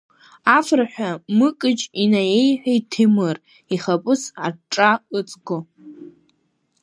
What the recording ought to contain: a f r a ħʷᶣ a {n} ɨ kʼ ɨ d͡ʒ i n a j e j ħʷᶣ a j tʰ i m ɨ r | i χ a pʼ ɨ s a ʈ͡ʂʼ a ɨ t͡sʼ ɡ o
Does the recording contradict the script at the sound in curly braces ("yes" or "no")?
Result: yes